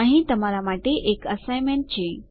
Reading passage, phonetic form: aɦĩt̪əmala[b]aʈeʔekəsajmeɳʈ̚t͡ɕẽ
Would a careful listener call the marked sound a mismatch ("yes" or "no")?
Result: yes